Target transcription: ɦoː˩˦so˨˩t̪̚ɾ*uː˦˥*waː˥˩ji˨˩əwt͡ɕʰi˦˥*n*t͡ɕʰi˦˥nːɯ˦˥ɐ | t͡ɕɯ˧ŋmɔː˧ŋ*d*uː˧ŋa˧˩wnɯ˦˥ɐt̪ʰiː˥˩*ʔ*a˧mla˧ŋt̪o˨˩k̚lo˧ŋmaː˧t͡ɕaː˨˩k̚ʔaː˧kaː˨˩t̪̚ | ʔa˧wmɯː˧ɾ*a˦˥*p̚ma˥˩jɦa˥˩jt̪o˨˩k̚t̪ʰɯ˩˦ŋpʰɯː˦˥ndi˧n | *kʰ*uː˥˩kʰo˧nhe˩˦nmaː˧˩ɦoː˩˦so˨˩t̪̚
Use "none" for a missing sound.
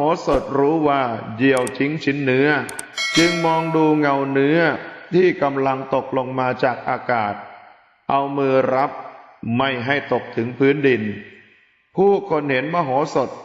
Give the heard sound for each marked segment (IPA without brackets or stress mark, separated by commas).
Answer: uː˦˥, ŋ, d, k, a˦˥, pʰ